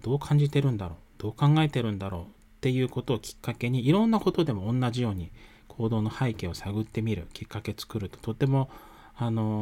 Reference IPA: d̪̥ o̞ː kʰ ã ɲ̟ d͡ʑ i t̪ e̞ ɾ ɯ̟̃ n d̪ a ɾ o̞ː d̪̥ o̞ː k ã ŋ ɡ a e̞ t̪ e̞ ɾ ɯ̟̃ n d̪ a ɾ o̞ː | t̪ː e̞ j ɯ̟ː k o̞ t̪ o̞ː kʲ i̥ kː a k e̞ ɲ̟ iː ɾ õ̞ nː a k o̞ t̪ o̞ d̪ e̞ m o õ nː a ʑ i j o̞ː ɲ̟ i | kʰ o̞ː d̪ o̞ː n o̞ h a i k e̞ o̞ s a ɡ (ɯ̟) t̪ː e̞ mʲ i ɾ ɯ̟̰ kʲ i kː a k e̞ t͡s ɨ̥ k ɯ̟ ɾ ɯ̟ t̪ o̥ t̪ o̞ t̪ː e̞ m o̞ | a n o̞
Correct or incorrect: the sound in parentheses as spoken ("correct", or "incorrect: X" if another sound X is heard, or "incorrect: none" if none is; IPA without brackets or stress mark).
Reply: correct